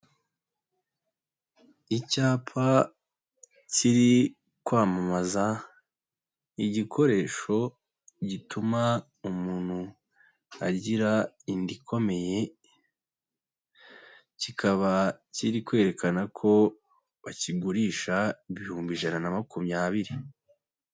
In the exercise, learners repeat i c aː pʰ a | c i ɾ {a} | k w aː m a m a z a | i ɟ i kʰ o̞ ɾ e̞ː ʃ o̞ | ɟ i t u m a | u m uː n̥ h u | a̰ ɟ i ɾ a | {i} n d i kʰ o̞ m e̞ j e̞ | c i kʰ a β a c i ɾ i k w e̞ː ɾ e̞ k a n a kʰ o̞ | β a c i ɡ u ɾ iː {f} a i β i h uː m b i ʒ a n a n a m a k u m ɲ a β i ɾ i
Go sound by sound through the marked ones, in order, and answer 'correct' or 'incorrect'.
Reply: incorrect: i, correct, incorrect: ʃ

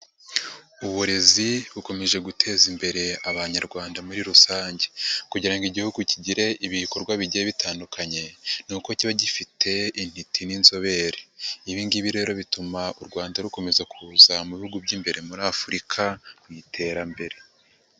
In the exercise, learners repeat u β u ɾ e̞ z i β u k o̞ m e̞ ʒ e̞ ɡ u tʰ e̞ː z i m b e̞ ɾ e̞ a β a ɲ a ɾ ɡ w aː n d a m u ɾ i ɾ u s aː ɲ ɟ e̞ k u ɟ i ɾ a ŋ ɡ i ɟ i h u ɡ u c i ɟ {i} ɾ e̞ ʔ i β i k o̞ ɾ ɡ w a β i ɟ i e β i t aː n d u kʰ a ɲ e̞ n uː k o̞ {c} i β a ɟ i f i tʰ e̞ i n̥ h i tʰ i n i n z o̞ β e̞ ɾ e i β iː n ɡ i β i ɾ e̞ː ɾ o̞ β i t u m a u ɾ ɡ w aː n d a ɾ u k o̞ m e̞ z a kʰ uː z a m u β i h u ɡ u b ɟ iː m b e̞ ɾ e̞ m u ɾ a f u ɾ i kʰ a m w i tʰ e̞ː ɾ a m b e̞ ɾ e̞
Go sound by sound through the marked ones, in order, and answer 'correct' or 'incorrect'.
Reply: correct, correct

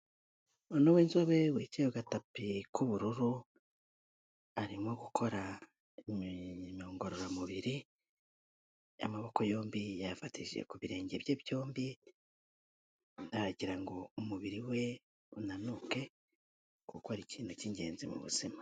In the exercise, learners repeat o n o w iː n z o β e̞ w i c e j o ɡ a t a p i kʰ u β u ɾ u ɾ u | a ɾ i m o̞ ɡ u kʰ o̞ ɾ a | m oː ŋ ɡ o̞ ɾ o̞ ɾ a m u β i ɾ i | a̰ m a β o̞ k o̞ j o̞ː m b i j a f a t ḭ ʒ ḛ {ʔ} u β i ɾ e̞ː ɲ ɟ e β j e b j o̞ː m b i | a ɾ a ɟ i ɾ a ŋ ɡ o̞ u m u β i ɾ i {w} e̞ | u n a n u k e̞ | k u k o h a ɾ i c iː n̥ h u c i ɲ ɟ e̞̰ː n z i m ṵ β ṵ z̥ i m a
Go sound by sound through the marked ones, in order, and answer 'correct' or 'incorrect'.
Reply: incorrect: k, correct

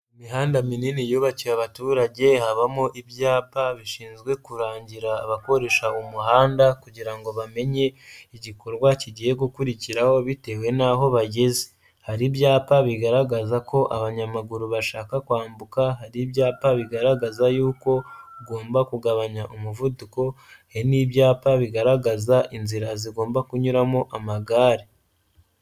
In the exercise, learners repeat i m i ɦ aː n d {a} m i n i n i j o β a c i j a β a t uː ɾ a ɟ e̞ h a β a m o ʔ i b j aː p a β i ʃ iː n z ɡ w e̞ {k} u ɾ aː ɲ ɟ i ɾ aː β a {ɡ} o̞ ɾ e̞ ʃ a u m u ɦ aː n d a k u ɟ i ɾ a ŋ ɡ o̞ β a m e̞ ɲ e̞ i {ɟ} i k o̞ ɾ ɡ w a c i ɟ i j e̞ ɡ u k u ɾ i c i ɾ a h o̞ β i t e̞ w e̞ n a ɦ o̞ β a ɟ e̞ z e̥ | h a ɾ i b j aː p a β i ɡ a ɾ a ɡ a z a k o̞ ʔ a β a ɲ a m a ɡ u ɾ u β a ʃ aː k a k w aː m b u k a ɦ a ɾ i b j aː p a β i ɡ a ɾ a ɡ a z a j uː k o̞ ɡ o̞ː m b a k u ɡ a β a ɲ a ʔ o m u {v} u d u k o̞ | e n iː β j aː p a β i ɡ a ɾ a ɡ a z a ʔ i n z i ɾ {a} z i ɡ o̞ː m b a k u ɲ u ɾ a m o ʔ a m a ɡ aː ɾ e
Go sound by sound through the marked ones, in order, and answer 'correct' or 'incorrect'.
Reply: correct, correct, incorrect: k, correct, correct, correct

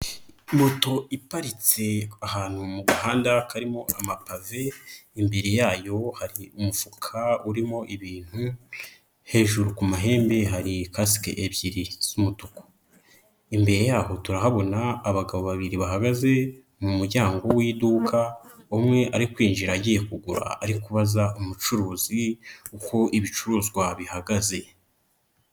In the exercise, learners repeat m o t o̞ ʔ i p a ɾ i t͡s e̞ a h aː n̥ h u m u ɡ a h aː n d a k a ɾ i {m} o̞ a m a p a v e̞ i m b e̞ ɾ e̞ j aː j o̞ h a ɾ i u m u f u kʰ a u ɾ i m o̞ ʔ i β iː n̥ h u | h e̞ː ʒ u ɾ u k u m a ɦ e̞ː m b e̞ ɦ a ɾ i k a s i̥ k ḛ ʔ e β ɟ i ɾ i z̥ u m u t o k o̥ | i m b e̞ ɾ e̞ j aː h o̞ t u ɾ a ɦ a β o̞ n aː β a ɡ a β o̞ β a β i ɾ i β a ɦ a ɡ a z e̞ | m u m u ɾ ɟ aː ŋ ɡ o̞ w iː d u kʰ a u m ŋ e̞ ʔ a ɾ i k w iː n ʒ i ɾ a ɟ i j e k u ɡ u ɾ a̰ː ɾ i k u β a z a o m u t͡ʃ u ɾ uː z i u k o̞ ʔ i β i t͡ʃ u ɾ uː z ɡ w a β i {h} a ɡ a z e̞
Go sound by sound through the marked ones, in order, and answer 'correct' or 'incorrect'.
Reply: correct, correct

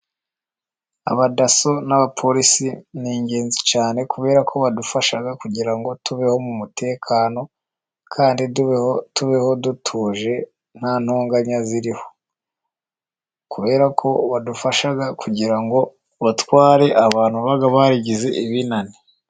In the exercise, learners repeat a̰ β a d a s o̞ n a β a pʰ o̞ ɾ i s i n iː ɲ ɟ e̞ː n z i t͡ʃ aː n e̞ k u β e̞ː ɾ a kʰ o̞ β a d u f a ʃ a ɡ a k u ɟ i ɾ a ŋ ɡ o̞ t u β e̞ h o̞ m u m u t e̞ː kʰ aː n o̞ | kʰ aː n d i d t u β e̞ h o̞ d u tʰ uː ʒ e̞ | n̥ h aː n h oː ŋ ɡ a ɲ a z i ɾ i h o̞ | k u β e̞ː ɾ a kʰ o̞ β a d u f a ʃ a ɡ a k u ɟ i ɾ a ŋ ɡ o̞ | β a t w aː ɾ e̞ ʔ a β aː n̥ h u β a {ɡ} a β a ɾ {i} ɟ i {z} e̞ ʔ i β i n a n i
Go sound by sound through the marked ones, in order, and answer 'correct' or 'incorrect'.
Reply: correct, correct, correct

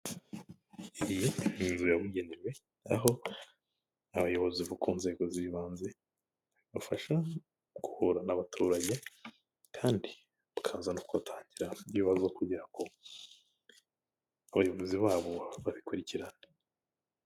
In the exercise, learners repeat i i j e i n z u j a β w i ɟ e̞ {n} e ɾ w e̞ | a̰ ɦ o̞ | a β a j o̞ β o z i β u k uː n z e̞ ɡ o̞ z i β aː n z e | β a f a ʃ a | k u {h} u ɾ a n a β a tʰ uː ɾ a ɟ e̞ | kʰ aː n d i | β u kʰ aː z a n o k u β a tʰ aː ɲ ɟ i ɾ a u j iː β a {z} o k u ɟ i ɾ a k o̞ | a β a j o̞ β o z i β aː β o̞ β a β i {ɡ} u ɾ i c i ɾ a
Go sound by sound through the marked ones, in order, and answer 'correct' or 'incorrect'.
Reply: correct, correct, correct, incorrect: k

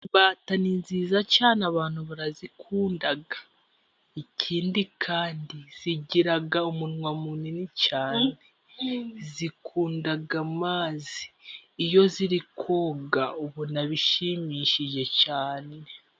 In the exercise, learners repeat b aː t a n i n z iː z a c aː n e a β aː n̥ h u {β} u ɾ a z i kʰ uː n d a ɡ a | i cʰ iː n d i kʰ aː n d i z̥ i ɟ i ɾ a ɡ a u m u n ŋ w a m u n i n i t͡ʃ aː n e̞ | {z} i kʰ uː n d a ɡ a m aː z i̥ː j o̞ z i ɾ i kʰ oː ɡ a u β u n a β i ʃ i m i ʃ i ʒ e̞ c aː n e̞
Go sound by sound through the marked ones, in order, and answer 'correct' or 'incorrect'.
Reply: correct, correct

